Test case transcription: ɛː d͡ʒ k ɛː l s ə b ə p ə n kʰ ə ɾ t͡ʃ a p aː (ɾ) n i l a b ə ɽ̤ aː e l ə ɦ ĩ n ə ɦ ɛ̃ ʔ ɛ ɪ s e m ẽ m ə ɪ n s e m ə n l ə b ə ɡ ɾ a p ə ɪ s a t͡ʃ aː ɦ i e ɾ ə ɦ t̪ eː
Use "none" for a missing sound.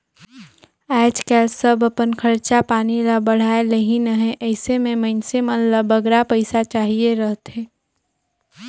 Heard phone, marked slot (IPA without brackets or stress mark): none